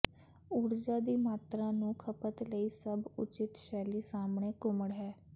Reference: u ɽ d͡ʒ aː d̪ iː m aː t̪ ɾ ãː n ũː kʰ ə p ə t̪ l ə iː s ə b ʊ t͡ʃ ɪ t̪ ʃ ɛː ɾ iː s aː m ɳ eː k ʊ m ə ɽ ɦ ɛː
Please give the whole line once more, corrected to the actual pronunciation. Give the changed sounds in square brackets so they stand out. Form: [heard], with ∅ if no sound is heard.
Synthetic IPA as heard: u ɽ d͡ʒ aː d̪ iː m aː t̪ ɾ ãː n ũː kʰ ə p ə t̪ l ə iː s ə b ʊ t͡ʃ ɪ t̪ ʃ ɛː [l] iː s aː m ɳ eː k ʊ m ə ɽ ɦ ɛː